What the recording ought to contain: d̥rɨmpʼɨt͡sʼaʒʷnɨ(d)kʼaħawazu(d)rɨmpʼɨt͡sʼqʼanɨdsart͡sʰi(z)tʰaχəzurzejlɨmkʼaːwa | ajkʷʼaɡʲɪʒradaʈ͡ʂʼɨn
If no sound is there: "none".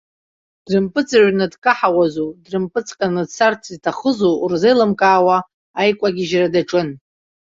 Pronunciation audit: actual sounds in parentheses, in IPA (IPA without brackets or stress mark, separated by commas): d, d, z